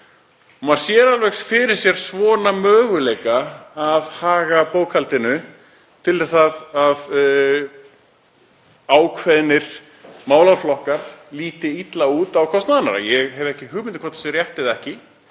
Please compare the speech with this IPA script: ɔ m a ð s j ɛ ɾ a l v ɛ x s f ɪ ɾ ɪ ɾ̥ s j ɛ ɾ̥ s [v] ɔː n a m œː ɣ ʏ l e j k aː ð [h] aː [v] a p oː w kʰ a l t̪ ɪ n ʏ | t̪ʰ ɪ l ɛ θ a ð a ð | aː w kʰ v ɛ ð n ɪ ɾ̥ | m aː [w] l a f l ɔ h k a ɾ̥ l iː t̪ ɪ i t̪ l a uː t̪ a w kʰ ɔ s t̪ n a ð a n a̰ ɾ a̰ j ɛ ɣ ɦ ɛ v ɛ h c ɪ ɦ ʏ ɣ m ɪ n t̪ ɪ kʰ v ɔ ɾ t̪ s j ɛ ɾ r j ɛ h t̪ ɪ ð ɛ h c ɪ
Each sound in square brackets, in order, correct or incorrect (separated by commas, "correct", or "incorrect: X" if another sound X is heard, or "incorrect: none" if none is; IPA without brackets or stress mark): correct, correct, incorrect: ɣ, correct